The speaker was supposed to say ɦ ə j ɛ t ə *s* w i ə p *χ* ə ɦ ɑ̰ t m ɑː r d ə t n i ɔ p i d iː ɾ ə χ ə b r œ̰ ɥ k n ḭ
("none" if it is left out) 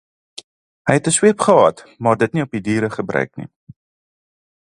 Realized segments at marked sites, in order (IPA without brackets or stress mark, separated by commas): s, χ